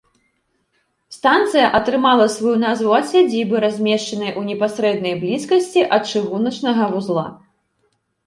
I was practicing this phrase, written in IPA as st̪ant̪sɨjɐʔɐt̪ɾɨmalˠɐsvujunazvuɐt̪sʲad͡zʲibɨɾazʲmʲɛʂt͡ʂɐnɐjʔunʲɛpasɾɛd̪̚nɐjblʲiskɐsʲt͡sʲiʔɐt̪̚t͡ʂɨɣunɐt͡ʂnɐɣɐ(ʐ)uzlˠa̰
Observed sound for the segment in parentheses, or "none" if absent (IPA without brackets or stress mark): v